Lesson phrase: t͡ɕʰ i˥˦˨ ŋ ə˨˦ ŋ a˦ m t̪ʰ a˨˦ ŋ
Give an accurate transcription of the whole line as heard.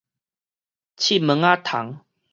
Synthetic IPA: t͡ɕʰ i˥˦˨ m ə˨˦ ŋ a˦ t̪ʰ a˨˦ ŋ